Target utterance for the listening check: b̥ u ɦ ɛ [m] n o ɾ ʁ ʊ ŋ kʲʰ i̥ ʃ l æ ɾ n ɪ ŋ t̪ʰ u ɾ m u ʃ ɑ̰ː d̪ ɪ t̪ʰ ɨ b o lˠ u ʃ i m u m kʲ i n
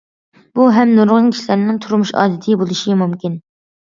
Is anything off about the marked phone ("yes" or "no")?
no